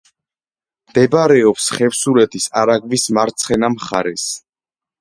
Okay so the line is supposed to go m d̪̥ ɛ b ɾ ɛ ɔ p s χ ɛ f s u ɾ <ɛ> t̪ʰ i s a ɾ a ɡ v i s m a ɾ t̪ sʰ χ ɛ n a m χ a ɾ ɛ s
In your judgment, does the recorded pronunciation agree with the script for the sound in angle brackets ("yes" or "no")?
yes